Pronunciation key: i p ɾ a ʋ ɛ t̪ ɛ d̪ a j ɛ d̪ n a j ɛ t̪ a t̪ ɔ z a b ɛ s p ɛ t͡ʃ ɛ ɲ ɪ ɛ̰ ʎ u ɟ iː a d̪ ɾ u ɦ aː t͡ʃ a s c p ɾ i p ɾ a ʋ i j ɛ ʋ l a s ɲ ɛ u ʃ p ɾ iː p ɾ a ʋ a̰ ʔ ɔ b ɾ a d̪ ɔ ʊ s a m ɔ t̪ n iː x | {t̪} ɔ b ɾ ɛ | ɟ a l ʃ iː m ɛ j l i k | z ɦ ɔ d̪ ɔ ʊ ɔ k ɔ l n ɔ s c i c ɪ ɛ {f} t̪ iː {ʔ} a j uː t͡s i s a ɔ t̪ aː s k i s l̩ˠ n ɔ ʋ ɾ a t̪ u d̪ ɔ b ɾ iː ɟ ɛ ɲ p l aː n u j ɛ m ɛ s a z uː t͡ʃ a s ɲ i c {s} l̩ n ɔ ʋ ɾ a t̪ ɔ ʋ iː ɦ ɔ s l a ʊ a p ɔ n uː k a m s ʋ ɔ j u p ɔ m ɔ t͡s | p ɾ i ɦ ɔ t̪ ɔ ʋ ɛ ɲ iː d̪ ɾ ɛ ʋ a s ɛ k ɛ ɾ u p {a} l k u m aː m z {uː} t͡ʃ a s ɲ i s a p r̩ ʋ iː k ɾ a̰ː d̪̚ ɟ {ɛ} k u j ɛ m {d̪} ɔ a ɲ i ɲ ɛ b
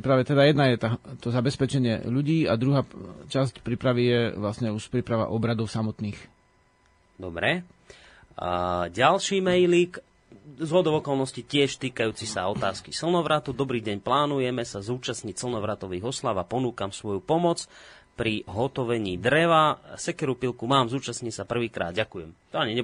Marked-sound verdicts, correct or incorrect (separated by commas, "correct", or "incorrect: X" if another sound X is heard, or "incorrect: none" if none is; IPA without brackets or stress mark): incorrect: d̪, incorrect: ʃ, incorrect: k, correct, incorrect: i, correct, incorrect: a, incorrect: t̪